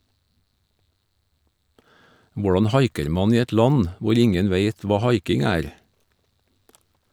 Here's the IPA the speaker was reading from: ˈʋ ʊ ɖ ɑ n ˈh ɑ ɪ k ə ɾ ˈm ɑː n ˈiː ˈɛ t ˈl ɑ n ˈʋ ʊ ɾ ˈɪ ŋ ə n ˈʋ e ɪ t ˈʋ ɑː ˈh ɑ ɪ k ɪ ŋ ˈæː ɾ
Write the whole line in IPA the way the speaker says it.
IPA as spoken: ˈʋ ʊ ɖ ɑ n ˈh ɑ ɪ k ə ɾ ˈm ɑ n ˈiː ˈɛ t ˈl ɑ n ˈʋ ʊ ɾ ˈɪ ŋ ə n ˈʋ e ɪ t ˈʋ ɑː ˈh ɑ ɪ k ɪ ŋ ˈæː ɾ